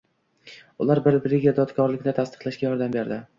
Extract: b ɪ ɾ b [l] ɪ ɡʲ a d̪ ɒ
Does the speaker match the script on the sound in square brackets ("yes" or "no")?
no